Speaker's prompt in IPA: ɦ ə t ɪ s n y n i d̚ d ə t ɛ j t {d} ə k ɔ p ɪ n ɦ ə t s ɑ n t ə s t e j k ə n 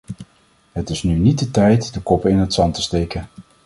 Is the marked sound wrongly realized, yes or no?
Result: no